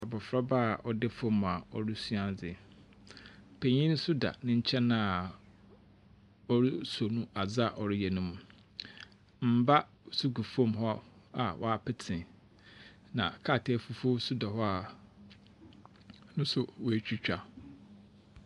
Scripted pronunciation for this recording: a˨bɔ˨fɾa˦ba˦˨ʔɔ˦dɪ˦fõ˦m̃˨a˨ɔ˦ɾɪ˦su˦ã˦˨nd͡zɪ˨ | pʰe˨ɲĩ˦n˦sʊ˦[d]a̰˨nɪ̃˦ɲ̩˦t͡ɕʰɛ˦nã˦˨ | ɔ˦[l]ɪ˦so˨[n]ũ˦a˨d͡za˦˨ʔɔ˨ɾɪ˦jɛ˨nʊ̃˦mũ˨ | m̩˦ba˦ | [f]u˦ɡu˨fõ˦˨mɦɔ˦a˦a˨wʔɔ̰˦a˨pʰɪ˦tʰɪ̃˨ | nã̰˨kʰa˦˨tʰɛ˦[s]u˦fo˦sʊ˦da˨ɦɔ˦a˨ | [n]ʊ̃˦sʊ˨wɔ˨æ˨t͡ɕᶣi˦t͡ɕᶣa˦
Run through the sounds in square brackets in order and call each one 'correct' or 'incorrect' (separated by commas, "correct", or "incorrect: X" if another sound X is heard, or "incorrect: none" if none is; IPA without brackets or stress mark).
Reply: correct, incorrect: ɾ, correct, incorrect: s, incorrect: f, correct